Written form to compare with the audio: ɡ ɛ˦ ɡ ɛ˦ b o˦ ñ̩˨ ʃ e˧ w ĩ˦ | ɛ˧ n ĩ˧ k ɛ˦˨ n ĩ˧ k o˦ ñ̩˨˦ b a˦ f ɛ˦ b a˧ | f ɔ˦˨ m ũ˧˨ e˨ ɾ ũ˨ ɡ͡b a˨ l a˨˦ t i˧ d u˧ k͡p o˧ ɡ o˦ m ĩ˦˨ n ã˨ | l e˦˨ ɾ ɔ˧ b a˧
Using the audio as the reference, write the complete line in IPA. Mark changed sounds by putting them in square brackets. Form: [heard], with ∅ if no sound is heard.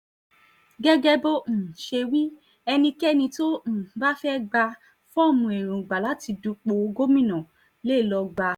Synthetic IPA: ɡ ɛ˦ ɡ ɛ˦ b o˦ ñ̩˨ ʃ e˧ w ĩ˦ | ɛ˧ n ĩ˧ k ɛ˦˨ n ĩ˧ [t] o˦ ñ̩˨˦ b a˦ f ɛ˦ [ɡ͡b] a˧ | f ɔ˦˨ m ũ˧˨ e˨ ɾ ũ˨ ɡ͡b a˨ l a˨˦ t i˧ d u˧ k͡p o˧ ɡ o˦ m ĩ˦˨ n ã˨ | l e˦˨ [l] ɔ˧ [ɡ͡b] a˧